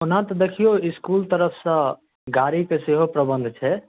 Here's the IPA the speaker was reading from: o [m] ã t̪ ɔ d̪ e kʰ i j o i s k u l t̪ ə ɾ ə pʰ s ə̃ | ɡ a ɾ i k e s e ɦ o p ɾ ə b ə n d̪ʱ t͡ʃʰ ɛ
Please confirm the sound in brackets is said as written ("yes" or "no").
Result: no